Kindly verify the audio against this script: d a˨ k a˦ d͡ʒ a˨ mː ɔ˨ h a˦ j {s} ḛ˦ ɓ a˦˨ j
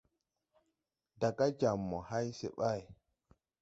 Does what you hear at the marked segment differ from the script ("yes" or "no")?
no